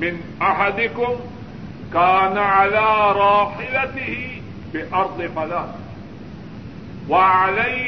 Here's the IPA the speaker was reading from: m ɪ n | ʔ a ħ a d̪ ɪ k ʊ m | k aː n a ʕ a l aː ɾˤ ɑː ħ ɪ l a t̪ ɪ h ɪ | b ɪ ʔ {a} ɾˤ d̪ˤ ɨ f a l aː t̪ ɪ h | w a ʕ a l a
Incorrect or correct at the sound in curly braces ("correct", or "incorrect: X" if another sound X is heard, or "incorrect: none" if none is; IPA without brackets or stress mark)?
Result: incorrect: ɑ